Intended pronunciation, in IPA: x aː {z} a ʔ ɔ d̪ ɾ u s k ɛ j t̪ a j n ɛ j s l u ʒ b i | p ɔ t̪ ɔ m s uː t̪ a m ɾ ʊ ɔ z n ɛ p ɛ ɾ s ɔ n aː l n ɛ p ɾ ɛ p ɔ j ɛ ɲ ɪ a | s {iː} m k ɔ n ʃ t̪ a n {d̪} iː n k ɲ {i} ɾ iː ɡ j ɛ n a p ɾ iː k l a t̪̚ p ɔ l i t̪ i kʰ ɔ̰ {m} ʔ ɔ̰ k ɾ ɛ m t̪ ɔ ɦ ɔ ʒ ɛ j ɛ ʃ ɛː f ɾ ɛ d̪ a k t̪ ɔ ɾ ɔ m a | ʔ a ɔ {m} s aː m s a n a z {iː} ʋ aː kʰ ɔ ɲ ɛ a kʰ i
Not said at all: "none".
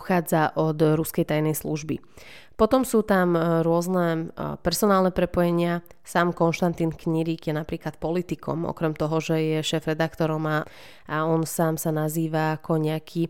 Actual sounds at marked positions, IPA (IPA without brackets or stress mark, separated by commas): d͡z, aː, t̪, i, m, n, iː